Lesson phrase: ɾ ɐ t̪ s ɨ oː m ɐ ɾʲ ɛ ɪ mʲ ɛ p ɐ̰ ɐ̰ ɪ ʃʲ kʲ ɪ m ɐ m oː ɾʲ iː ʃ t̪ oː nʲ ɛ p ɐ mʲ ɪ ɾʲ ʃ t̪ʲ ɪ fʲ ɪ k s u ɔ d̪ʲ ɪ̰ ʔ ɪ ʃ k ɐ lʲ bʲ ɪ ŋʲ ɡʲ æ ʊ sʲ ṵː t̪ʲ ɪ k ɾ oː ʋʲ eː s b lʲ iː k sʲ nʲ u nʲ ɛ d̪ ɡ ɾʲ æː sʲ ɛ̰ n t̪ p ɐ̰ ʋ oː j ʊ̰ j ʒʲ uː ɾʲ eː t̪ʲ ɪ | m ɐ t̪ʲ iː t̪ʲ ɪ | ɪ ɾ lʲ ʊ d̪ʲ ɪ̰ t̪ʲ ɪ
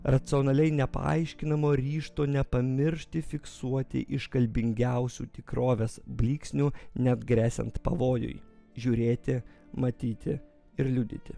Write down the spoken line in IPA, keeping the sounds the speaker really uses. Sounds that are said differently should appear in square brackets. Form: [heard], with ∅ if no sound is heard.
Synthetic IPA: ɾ ɐ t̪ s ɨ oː [n] ɐ [lʲ] ɛ ɪ [nʲ] ɛ p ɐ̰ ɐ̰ ɪ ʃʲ kʲ ɪ [n] ɐ m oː ɾʲ iː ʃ t̪ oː nʲ ɛ p ɐ mʲ ɪ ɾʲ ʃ t̪ʲ ɪ fʲ ɪ k s u ɔ [t̪ʲ] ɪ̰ ʔ ɪ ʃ k ɐ lʲ bʲ ɪ ŋʲ ɡʲ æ ʊ sʲ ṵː t̪ʲ ɪ k ɾ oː ʋʲ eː s b lʲ iː k sʲ nʲ u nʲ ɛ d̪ ɡ ɾʲ æː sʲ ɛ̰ n t̪ p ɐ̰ ʋ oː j ʊ̰ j ʒʲ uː ɾʲ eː t̪ʲ ɪ | m ɐ t̪ʲ iː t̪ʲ ɪ | ɪ ɾ lʲ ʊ d̪ʲ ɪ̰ t̪ʲ ɪ